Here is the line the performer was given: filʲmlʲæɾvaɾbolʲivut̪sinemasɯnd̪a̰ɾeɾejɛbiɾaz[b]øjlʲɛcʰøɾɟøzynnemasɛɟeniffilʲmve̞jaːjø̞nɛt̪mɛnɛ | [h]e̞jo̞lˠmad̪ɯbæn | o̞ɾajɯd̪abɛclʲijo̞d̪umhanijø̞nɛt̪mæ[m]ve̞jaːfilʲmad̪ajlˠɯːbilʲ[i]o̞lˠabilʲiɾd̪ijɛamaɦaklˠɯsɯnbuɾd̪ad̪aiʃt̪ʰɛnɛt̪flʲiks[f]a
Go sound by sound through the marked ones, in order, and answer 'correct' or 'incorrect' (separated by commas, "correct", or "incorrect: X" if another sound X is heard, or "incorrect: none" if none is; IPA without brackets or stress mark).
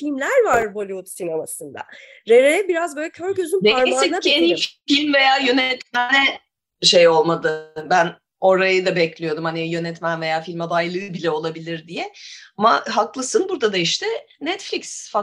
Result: correct, incorrect: ʃ, incorrect: n, incorrect: ɛ, correct